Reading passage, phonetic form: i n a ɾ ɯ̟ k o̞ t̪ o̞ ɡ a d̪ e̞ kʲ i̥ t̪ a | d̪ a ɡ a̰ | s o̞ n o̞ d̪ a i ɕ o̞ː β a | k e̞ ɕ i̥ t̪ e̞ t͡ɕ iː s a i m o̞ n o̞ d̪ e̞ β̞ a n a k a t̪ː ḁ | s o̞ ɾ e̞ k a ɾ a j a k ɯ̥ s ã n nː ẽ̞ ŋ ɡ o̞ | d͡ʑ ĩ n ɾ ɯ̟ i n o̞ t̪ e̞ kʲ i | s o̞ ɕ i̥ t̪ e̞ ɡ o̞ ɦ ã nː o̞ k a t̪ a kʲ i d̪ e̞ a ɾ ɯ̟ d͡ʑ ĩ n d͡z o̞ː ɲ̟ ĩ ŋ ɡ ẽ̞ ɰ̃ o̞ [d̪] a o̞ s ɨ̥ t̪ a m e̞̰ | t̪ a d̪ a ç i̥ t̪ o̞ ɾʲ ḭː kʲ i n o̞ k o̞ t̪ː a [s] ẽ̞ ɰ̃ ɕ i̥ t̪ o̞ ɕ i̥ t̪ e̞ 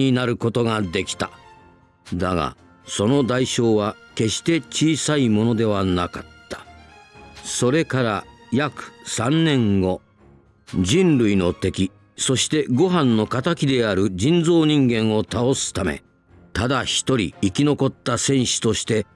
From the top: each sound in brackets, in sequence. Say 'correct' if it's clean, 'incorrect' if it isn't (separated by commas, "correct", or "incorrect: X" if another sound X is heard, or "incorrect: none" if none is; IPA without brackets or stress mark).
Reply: incorrect: t̪, correct